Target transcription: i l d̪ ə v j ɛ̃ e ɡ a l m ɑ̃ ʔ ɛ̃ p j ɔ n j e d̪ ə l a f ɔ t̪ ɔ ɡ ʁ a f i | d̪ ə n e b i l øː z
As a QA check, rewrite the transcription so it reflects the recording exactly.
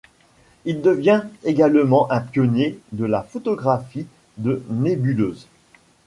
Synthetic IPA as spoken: i l d̪ ə v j ɛ̃ e ɡ a l m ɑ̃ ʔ ɛ̃ p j ɔ n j e d̪ ə l a f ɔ t̪ ɔ ɡ ʁ a f i | d̪ ə n e b y l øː z